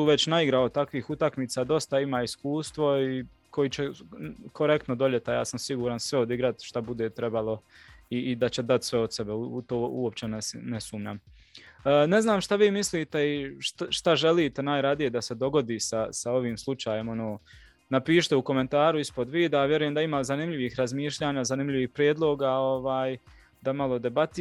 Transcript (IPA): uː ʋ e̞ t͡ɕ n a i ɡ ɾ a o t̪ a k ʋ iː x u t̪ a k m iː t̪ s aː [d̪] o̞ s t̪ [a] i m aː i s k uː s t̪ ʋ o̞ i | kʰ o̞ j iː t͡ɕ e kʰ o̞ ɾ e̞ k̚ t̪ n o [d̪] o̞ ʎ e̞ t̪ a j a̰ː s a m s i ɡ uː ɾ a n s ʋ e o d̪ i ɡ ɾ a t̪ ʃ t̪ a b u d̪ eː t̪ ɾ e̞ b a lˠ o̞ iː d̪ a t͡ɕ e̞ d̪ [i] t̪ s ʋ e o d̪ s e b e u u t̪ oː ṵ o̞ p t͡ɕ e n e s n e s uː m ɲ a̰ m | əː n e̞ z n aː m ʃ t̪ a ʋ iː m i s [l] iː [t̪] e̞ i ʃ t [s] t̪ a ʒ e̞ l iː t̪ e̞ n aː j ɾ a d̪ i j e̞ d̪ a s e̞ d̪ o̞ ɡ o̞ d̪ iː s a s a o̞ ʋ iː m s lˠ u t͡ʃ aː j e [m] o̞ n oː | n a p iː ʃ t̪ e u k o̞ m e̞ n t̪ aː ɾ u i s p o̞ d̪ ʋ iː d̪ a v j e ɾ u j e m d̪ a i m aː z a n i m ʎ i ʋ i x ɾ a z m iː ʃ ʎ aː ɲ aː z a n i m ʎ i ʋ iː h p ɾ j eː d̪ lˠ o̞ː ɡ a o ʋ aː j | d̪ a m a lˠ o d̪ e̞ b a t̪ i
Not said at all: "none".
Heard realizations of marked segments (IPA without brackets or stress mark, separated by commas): d̪, a, d̪, a, l, t̪, ʃ, m